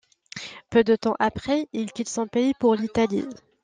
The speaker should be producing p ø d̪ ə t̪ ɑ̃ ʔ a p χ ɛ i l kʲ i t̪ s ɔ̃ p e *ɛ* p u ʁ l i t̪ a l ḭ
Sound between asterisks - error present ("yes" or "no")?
yes